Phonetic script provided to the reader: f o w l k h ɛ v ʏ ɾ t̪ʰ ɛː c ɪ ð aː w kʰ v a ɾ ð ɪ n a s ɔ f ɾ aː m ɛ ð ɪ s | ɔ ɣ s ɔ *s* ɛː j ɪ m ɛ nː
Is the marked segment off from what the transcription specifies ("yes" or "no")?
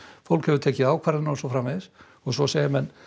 no